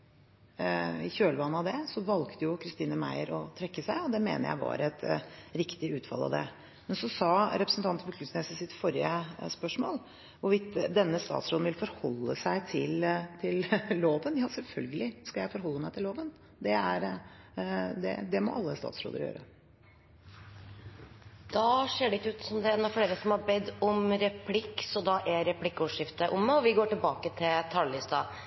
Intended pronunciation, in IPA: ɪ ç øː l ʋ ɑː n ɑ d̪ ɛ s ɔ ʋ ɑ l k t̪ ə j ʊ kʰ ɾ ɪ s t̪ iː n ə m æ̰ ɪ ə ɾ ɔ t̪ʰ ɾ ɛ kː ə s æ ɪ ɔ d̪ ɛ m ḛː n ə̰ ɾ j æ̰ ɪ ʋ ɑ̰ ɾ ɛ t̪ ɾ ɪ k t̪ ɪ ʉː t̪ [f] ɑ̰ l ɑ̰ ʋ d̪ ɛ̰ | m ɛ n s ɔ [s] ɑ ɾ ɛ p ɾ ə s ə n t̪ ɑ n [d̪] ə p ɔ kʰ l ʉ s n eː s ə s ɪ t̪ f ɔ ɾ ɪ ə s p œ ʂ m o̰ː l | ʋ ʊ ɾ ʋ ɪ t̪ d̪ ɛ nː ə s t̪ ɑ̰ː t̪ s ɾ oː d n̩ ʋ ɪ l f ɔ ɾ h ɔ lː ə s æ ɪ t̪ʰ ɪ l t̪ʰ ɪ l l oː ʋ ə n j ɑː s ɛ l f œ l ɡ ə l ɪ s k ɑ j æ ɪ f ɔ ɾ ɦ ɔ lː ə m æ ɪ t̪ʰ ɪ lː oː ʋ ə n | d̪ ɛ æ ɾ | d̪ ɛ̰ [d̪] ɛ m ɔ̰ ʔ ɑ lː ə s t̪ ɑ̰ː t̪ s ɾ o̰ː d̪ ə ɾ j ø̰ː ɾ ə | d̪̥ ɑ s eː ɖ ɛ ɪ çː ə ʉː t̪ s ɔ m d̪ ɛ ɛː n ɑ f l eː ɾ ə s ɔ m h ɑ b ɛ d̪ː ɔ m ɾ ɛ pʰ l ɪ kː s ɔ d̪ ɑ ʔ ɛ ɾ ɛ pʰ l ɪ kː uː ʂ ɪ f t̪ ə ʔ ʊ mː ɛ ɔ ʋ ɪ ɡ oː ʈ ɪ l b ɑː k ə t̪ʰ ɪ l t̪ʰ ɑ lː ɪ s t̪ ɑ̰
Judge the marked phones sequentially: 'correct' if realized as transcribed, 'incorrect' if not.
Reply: correct, correct, incorrect: t̪, correct

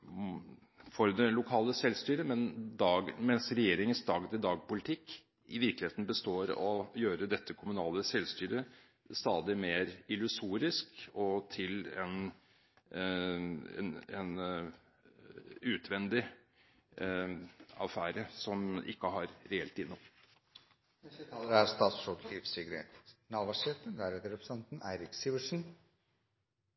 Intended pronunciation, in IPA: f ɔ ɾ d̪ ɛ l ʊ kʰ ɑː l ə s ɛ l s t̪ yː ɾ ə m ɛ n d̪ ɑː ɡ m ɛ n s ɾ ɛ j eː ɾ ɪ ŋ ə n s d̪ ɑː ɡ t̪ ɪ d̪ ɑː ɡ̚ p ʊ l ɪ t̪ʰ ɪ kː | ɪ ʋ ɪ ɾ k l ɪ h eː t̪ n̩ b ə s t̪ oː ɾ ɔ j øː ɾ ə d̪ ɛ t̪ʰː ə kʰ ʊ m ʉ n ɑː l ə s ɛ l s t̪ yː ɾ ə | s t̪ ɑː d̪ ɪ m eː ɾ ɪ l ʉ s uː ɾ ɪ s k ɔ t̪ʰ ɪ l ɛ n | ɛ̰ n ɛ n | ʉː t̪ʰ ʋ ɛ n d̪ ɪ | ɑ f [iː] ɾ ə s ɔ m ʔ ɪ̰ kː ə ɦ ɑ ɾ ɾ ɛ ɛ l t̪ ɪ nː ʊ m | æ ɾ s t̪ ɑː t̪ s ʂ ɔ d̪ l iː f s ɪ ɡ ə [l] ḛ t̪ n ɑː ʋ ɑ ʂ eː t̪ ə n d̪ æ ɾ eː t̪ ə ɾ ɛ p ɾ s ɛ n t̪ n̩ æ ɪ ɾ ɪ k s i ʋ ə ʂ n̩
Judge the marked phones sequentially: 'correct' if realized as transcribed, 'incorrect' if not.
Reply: incorrect: æː, incorrect: ɾ

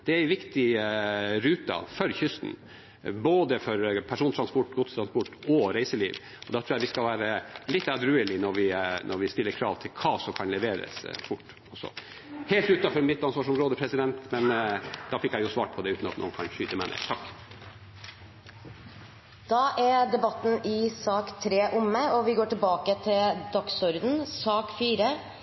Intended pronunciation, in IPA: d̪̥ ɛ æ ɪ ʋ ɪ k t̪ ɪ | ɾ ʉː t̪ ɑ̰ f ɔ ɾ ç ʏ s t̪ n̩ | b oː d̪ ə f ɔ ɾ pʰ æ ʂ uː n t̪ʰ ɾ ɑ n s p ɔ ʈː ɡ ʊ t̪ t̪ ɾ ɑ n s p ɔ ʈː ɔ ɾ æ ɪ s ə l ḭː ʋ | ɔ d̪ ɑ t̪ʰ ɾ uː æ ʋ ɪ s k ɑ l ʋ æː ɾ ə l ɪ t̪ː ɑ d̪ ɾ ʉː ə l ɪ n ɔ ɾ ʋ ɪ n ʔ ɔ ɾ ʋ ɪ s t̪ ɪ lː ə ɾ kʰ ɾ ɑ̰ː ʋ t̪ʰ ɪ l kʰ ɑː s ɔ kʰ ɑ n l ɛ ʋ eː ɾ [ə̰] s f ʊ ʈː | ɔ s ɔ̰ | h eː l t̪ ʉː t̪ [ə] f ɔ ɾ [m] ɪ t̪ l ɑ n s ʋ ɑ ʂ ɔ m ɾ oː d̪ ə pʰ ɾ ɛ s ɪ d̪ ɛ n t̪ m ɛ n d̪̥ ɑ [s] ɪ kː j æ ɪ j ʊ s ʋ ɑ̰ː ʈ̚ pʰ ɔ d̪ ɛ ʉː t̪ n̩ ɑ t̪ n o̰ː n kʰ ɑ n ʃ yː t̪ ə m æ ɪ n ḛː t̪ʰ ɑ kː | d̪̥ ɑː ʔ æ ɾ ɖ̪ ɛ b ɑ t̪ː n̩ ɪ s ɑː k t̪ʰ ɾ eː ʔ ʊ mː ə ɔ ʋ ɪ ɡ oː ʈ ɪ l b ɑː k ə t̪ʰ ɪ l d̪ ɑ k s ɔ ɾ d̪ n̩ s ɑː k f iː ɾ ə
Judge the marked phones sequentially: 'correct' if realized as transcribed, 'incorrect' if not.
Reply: correct, incorrect: ɑ, correct, incorrect: f

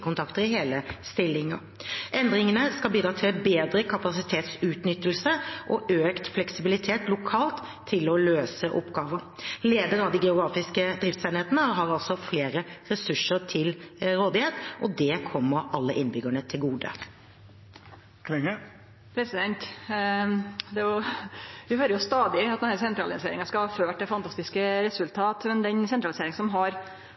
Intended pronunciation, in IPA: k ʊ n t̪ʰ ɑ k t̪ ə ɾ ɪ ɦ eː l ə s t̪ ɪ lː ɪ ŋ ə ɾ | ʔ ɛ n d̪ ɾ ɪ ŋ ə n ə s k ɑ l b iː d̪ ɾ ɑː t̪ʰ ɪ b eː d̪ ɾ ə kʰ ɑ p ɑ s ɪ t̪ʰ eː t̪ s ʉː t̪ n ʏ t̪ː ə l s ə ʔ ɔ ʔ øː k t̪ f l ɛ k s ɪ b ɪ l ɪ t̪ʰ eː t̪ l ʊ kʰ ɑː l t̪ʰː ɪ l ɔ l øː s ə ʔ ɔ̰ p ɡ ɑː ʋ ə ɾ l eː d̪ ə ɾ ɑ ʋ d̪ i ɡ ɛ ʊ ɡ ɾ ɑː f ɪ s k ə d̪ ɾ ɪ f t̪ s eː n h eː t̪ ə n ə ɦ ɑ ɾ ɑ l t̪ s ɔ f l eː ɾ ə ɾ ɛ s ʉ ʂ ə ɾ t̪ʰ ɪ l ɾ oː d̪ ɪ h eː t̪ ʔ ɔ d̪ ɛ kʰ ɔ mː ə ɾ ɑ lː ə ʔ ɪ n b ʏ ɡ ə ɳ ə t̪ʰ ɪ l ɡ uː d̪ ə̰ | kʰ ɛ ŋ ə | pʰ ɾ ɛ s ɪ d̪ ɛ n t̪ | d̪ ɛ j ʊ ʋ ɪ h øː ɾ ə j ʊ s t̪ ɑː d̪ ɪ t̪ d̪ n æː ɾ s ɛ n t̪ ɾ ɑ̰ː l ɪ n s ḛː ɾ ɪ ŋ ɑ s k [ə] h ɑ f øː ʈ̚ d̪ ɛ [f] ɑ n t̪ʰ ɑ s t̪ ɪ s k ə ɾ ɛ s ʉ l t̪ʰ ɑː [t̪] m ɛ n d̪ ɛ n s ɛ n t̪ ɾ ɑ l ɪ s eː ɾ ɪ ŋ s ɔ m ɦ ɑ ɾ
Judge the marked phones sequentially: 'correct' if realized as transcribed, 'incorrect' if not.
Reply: incorrect: ɑ, correct, correct

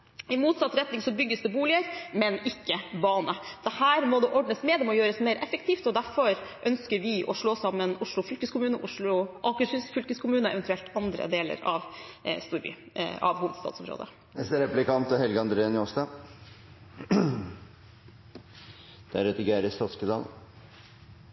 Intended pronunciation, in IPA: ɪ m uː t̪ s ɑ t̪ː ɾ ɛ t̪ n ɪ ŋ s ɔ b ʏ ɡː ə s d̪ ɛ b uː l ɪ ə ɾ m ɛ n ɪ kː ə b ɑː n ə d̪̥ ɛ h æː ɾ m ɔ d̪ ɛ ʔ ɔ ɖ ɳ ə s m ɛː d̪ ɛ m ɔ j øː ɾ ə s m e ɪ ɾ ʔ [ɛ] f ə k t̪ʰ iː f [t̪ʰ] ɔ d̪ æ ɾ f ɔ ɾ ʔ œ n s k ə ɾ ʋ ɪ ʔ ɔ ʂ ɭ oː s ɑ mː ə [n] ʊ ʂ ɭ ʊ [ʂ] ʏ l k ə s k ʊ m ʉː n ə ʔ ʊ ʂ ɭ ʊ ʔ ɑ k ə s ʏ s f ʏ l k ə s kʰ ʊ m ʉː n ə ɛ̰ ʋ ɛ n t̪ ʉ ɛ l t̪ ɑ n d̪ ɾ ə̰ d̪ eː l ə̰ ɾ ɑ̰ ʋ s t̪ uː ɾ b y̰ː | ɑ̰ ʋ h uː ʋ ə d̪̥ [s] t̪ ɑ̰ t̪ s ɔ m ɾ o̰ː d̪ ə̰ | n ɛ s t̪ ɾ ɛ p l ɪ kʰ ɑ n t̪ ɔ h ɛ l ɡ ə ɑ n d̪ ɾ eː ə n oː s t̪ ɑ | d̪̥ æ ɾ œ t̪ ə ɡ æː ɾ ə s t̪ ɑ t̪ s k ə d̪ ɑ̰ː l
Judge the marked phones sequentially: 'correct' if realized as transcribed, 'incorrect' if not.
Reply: correct, incorrect: t̪, correct, incorrect: f, correct

